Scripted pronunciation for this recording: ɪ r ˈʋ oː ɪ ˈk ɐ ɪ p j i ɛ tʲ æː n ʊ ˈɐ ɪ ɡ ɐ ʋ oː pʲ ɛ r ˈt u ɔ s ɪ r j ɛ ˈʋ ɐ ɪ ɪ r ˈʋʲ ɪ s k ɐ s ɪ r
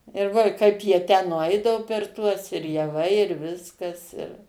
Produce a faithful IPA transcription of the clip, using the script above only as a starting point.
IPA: ɪ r ˈʋ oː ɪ ˈk ɐ ɪ p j i ɛ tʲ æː n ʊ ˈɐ ɪ d ɐ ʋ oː pʲ ɛ r ˈt u ɔ s ɪ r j ɛ ˈʋ ɐ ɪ ɪ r ˈʋʲ ɪ s k ɐ s ɪ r